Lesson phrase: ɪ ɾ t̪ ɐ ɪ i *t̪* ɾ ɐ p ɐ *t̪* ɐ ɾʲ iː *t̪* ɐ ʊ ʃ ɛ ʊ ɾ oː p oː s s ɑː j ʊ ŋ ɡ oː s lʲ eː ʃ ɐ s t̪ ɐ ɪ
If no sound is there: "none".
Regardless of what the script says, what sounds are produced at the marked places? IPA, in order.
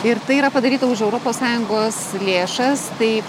none, d̪, t̪

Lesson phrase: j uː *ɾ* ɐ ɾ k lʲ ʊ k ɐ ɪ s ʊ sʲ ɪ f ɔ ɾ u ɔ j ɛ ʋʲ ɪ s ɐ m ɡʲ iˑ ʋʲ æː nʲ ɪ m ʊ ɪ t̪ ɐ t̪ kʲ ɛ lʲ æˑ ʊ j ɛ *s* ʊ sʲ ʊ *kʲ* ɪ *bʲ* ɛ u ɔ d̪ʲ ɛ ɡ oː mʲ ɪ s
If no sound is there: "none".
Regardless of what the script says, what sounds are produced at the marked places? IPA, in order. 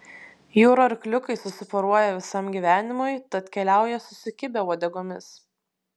ɾ, s, kʲ, bʲ

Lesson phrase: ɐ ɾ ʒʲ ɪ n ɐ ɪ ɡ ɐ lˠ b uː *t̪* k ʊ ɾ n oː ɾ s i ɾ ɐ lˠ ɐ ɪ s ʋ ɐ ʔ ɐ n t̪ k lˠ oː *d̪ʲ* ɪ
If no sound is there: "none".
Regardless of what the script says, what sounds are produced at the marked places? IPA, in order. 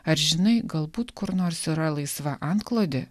t̪, d̪ʲ

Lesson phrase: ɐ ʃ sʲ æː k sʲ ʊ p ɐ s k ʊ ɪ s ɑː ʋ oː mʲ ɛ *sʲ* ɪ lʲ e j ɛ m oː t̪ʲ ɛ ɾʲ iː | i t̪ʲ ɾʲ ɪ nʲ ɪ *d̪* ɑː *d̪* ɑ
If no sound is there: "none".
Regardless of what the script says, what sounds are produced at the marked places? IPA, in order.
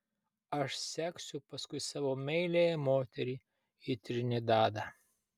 none, d̪, d̪

